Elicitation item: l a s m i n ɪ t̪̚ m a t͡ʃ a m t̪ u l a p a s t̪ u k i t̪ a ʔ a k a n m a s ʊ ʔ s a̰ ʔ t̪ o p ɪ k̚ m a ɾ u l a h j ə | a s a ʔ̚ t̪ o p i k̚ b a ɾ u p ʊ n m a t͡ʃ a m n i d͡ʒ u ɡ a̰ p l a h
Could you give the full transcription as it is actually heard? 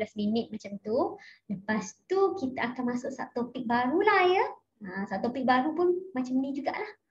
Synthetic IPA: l a s m i n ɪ t̪̚ m a t͡ʃ a m t̪ u l ə p a s t̪ u k i t̪ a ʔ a k a n m a s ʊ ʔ s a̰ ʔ t̪ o p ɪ k̚ b a ɾ u l a h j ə | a s a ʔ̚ t̪ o p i k̚ b a ɾ u p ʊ n m a t͡ʃ a m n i d͡ʒ u ɡ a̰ ʔ l a h